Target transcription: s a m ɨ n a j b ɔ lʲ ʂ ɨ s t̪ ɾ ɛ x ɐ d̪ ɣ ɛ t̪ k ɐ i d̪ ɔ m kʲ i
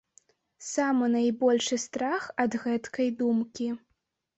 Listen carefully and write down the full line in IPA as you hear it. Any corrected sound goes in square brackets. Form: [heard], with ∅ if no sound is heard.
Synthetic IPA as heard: s a m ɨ n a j b ɔ lʲ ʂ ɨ s t̪ ɾ [a] x ɐ d̪ ɣ ɛ t̪ k ɐ [j] d̪ [u] m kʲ i